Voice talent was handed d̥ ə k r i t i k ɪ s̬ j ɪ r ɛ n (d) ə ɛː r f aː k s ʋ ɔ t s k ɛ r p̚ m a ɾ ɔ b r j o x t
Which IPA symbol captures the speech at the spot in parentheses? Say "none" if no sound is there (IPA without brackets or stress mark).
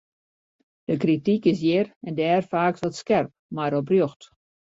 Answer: d